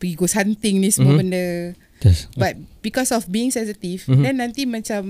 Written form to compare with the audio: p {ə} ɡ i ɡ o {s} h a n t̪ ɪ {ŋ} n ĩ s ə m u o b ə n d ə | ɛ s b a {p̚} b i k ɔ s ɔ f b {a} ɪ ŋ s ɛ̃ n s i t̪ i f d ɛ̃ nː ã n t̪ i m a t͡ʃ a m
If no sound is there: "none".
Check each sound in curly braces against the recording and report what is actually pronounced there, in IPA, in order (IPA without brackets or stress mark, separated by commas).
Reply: ə, s, ŋ, t̚, i